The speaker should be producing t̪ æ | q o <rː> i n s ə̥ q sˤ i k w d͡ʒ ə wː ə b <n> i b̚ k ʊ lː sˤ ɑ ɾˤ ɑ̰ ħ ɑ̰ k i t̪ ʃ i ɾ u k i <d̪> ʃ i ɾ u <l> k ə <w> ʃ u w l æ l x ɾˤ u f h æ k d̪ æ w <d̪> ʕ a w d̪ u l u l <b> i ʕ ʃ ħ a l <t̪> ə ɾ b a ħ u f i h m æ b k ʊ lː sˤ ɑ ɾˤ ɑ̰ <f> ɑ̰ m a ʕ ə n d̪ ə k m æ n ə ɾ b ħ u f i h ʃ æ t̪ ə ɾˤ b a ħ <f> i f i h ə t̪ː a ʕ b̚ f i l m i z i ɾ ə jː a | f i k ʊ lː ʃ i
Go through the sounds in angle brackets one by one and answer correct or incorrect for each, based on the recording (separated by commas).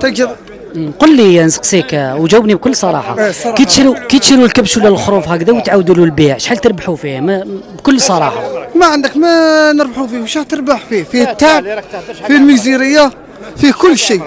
incorrect, correct, incorrect, correct, incorrect, incorrect, correct, correct, incorrect, correct